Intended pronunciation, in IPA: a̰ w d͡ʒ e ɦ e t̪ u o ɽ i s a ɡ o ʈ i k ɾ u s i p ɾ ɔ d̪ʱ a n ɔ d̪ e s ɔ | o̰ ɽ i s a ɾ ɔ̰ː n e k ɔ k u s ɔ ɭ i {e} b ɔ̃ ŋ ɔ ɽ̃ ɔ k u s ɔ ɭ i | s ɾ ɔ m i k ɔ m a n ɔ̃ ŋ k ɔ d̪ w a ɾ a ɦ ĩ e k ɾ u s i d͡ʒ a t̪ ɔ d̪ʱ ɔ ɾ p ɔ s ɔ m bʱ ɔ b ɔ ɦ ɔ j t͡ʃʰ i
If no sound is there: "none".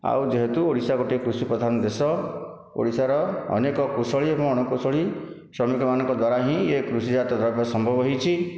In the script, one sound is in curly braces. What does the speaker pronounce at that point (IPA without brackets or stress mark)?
e